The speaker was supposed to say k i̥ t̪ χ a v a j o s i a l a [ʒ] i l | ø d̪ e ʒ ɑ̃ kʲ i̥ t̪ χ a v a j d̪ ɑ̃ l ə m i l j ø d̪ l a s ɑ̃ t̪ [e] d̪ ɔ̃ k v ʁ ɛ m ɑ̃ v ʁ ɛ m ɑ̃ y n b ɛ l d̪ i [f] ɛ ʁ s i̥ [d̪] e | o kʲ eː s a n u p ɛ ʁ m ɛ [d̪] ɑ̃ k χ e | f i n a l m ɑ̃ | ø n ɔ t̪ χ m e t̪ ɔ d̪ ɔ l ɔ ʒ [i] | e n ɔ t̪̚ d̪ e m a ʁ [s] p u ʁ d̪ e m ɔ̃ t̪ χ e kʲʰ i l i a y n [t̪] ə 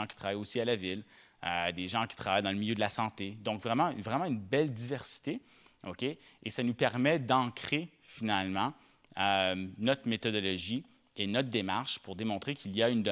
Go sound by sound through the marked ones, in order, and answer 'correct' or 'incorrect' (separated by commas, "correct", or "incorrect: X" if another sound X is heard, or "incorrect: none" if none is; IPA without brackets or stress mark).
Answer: incorrect: v, correct, incorrect: v, incorrect: t̪, correct, correct, incorrect: ʃ, incorrect: d̪